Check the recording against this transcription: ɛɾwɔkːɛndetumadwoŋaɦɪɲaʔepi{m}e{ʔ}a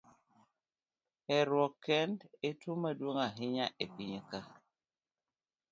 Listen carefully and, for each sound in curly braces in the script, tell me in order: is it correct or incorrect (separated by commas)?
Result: incorrect, incorrect